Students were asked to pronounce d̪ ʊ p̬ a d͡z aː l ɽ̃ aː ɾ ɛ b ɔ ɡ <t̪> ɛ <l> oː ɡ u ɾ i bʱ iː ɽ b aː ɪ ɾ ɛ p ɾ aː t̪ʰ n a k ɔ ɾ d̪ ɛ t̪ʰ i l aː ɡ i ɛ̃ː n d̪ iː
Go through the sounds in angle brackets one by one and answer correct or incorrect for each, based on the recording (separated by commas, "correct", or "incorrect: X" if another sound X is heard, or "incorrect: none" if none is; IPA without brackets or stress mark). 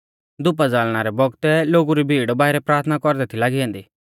correct, correct